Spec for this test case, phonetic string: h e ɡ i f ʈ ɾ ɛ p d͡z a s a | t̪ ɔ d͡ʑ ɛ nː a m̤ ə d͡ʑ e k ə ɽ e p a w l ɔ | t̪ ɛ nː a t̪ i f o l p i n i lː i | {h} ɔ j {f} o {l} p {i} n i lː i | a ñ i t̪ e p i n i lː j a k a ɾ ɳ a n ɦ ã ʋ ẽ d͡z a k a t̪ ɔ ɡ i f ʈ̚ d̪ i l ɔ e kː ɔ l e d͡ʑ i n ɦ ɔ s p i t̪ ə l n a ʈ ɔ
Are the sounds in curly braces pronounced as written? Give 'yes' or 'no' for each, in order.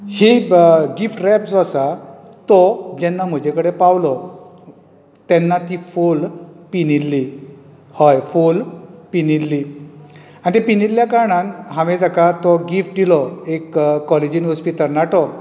yes, yes, yes, yes

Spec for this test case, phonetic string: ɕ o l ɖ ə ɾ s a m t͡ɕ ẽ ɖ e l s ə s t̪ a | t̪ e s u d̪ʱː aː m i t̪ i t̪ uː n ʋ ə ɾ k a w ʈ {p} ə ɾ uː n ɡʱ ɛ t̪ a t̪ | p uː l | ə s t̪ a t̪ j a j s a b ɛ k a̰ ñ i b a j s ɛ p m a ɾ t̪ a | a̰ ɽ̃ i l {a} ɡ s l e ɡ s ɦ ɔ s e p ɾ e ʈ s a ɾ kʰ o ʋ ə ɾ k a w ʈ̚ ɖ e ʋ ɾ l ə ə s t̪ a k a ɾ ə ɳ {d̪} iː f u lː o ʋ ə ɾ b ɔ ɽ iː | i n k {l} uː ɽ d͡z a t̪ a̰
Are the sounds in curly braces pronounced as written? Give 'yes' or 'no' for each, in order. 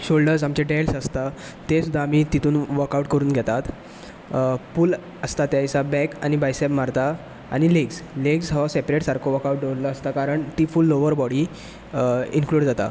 no, no, no, yes

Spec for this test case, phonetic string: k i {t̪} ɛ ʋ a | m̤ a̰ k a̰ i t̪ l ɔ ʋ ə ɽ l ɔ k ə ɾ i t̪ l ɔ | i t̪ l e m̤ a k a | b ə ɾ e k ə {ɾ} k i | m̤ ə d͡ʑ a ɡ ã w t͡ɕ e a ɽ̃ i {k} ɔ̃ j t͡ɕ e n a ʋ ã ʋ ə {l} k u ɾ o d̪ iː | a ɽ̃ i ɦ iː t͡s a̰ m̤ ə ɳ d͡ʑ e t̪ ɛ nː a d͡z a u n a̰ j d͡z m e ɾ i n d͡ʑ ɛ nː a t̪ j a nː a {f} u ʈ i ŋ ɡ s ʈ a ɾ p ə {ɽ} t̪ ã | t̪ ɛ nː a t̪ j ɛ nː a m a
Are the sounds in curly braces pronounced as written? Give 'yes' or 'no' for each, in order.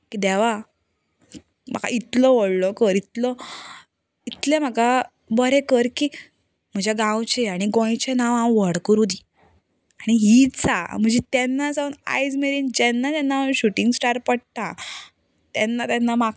no, yes, no, no, no, yes

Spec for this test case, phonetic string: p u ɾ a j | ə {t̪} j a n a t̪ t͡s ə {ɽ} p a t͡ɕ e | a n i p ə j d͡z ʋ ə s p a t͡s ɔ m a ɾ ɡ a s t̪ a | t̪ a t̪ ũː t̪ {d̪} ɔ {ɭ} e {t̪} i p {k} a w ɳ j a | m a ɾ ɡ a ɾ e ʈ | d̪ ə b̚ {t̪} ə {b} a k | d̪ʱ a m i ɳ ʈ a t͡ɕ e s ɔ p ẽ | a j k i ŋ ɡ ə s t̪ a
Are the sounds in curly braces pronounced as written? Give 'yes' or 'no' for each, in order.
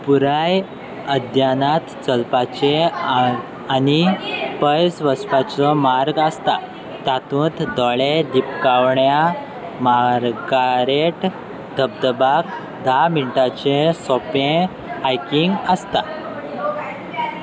no, no, yes, yes, no, yes, no, yes

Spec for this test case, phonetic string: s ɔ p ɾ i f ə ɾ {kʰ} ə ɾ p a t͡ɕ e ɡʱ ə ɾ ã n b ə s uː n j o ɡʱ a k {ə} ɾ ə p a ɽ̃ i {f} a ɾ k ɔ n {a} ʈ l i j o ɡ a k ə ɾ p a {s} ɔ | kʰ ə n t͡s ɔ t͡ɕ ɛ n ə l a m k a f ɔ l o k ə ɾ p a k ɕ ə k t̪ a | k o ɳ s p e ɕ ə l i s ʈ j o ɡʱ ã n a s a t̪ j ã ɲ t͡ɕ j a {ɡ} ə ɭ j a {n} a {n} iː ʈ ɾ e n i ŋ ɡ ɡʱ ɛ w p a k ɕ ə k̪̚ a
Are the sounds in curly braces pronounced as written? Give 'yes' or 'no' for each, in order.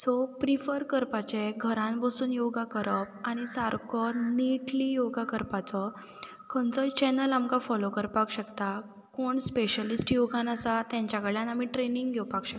no, yes, no, no, no, no, yes, no

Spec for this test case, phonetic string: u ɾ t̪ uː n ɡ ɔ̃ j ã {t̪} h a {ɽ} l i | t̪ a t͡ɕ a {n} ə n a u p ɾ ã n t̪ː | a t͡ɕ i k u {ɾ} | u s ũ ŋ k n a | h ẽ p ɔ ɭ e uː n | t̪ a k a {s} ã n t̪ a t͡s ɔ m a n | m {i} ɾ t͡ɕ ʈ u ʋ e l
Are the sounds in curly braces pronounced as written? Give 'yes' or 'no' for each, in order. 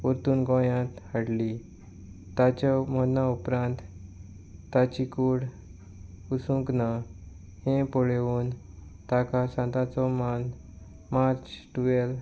yes, yes, no, no, yes, no

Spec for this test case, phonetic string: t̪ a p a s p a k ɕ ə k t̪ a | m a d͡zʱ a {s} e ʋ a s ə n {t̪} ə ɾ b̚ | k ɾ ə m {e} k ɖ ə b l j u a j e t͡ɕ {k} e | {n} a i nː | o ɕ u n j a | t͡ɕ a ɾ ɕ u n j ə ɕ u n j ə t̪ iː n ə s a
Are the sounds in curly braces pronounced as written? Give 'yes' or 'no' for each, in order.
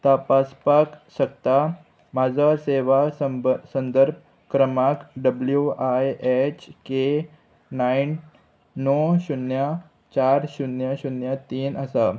yes, no, no, yes, yes

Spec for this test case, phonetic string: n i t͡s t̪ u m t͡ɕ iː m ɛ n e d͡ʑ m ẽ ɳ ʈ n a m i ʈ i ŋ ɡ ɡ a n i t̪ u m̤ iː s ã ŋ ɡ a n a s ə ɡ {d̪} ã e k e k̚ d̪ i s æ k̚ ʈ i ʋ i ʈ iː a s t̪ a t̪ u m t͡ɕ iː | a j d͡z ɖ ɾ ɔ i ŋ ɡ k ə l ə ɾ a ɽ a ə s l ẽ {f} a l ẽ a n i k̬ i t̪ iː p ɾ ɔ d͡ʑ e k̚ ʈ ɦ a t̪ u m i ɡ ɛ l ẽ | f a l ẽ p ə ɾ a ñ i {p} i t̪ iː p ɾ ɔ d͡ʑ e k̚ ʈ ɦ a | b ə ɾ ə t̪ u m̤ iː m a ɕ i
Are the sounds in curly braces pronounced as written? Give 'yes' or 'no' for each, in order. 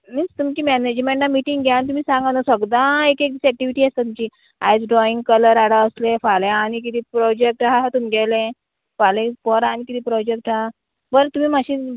yes, yes, no

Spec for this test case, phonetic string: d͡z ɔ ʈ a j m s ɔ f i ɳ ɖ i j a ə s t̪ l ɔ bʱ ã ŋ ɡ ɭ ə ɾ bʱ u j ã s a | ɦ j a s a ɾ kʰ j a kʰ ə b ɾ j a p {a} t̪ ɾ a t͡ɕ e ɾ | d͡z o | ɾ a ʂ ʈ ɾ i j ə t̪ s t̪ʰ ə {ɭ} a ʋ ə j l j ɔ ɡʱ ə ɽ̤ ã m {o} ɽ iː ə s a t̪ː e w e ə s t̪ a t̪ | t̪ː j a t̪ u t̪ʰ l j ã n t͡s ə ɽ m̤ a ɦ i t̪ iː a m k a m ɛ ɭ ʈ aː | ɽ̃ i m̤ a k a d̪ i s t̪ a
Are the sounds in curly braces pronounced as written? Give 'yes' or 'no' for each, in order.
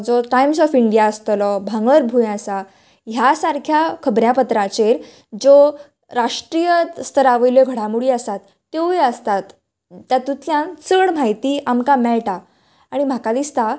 no, no, no

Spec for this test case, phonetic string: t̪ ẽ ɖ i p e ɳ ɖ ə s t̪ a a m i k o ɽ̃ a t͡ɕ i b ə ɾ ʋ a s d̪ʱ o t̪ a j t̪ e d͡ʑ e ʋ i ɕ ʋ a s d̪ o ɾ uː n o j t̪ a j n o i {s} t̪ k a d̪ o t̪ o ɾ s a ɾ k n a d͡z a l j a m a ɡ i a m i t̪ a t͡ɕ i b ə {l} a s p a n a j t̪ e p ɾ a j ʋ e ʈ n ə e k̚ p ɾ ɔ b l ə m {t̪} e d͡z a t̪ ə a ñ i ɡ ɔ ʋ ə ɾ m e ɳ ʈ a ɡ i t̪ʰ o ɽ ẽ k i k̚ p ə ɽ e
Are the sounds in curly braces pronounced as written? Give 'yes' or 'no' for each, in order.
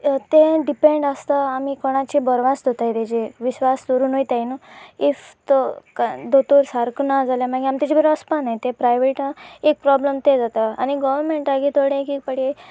no, no, yes

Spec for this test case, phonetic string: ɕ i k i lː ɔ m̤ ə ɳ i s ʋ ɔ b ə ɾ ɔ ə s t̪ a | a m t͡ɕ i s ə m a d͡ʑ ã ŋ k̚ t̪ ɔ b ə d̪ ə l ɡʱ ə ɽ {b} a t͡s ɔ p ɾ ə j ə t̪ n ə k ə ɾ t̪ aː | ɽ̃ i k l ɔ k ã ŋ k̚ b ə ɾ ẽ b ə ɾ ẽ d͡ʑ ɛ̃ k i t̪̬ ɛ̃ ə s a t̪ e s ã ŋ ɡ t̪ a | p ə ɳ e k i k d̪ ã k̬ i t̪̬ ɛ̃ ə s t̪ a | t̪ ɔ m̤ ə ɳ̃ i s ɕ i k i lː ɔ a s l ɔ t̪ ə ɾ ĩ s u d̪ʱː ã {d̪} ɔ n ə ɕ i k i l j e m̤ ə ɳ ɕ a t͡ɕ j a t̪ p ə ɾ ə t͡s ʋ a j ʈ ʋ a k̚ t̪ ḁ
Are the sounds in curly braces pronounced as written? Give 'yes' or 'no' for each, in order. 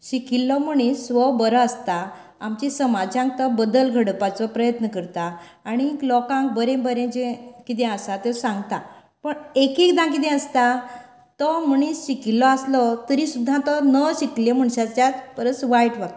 no, no

